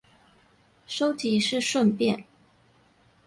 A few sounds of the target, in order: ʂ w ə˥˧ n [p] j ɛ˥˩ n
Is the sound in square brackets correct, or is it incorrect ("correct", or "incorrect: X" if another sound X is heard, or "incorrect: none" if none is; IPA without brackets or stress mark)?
correct